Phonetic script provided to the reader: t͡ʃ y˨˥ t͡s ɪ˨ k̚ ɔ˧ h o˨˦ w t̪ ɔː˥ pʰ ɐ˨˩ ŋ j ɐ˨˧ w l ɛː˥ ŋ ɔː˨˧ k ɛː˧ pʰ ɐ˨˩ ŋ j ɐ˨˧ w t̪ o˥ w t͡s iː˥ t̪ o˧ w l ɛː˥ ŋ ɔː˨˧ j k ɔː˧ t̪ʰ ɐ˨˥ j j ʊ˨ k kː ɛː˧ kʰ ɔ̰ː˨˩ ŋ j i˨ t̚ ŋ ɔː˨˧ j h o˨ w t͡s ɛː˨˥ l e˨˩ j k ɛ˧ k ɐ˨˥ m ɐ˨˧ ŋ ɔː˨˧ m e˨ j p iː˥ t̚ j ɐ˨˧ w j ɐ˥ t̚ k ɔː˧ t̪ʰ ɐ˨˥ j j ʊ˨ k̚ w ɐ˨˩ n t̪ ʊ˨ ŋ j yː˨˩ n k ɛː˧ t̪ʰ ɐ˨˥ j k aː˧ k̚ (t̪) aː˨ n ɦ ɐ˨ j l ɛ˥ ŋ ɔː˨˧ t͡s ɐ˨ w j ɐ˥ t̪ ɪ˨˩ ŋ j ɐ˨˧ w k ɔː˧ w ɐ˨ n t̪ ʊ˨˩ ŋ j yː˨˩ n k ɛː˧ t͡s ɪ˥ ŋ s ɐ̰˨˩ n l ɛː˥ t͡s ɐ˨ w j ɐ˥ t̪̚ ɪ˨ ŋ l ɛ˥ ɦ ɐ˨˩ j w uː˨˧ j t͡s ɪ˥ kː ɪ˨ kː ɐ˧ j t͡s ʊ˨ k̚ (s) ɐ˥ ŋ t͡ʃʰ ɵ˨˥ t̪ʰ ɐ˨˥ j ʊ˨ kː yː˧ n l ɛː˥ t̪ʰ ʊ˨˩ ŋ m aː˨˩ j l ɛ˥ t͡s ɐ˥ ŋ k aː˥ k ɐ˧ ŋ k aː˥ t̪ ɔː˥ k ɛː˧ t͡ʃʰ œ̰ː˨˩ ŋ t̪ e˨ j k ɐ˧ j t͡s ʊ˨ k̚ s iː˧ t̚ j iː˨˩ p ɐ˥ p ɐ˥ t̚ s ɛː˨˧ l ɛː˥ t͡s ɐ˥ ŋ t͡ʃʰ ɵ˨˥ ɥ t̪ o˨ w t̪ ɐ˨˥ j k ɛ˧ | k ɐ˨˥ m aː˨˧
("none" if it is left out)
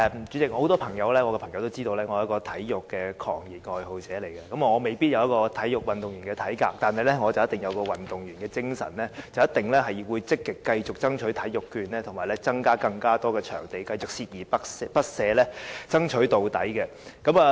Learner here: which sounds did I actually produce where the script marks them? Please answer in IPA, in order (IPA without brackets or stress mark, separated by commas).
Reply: t̪, t͡s